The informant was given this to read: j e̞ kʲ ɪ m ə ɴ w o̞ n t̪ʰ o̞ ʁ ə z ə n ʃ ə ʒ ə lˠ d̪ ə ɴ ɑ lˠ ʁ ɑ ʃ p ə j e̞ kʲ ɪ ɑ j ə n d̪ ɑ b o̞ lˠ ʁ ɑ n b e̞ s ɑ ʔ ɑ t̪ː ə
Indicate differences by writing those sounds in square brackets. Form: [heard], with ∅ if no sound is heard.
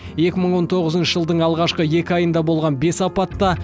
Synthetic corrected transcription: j e̞ kʲ ɪ m ə ɴ w o̞ n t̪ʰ o̞ ʁ ə z ə n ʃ ə ʒ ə lˠ d̪ ə ɴ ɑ lˠ ʁ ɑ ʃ [q] ə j e̞ kʲ ɪ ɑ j ə n d̪ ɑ b o̞ lˠ ʁ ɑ n b e̞ s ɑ [p] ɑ t̪ː [ɑ]